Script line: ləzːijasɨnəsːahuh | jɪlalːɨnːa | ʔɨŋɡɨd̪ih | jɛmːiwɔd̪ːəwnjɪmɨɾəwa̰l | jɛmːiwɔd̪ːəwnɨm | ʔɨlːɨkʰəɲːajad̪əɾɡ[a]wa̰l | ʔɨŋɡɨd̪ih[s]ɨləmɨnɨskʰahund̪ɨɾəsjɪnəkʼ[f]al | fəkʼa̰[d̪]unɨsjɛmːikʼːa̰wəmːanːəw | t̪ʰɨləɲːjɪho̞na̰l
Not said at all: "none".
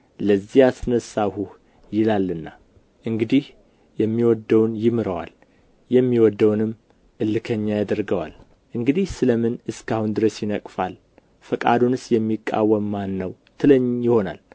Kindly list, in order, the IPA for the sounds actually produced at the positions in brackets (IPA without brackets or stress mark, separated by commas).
ə, s, f, d̪